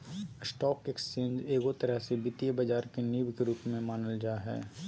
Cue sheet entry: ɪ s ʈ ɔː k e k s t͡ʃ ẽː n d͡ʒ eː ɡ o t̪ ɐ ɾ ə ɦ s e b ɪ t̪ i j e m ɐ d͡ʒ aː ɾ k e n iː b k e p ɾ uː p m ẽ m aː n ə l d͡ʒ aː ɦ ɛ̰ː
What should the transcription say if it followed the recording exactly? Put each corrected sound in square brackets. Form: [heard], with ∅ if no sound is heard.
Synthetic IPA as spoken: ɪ s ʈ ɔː k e k s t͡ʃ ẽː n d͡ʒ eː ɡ o t̪ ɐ ɾ ə ɦ s e b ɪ t̪ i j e [b] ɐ d͡ʒ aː ɾ k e n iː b k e [∅] ɾ uː p m ẽ m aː n ə l d͡ʒ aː ɦ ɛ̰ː